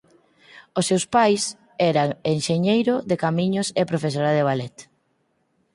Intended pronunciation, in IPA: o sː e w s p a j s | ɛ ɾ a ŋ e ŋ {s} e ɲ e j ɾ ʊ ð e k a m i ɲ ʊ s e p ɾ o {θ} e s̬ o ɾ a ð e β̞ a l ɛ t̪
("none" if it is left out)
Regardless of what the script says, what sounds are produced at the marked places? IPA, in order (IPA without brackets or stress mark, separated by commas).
ʃ, f